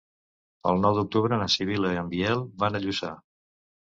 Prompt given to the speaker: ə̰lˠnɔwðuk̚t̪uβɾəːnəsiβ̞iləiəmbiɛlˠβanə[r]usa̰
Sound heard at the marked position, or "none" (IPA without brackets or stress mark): ʎ